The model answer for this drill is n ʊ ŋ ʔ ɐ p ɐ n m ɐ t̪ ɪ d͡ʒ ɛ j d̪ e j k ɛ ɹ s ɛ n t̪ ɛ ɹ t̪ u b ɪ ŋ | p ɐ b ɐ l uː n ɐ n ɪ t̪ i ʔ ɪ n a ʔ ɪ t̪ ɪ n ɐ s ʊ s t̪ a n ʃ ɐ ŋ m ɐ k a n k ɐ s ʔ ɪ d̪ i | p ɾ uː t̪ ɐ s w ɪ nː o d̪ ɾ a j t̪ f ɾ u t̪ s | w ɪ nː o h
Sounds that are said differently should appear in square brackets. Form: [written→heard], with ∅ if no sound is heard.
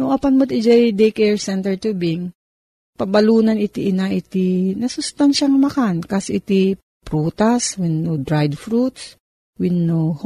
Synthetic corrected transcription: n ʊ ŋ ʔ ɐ p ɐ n m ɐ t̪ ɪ d͡ʒ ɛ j d̪ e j k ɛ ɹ s ɛ n t̪ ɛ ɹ t̪ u b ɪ ŋ | p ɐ b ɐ l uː n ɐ n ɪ t̪ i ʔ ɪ n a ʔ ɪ t̪ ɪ n ɐ s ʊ s t̪ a n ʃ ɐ ŋ m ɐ k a n k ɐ s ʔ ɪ [d̪→t̪] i | p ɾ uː t̪ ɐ s w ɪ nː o d̪ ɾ a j [t̪→d̪] f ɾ u t̪ s | w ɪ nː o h